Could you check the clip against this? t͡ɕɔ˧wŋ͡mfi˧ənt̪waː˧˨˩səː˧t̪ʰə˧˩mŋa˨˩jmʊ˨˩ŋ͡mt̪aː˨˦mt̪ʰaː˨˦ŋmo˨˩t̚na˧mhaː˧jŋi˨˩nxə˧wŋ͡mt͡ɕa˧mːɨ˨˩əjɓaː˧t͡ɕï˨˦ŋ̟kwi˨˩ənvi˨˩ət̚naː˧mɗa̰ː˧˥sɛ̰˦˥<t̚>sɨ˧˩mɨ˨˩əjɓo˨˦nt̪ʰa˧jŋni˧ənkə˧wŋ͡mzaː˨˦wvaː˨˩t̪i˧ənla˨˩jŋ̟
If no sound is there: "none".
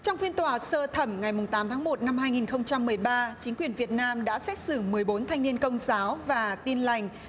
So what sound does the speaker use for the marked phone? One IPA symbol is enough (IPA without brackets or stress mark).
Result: t̚